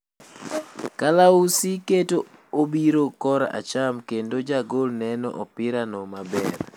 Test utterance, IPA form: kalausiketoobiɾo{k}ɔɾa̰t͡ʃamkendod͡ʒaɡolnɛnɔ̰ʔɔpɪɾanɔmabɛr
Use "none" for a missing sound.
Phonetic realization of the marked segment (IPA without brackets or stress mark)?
k